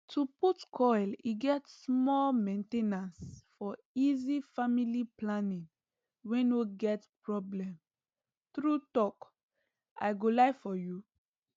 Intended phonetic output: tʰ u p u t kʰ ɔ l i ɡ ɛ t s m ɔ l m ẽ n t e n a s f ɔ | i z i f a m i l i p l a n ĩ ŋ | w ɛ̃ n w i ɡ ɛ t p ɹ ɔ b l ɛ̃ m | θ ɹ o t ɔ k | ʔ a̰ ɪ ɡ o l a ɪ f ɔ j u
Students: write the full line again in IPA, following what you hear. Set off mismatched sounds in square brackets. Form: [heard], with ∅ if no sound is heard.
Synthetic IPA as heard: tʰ u p u t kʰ ɔ l i ɡ ɛ t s m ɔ l m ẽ n t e n a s f ɔ | i z i f a m i l i p l a n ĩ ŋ | w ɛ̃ n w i ɡ ɛ t p ɹ ɔ b l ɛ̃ m | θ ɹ [u] t ɔ k | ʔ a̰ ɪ ɡ o l a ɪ f ɔ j u